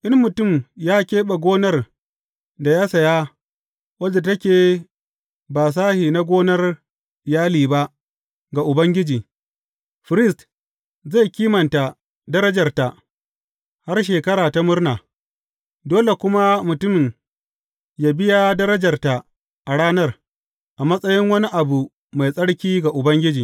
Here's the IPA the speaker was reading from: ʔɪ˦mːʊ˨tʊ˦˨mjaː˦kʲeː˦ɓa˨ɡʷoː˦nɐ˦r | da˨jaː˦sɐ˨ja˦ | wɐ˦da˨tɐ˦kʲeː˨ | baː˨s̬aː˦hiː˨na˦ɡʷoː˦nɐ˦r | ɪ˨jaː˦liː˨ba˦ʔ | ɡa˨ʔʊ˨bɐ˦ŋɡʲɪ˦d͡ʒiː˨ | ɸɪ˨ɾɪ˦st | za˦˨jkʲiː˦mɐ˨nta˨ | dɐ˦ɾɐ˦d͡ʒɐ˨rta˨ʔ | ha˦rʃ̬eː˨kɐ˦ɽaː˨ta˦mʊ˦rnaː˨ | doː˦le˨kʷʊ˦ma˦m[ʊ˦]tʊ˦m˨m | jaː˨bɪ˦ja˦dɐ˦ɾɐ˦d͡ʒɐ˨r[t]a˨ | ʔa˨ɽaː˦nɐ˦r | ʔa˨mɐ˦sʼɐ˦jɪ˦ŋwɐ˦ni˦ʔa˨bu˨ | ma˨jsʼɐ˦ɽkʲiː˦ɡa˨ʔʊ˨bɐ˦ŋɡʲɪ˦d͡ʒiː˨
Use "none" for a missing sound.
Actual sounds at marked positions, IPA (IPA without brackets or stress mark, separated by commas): ʊ˨, t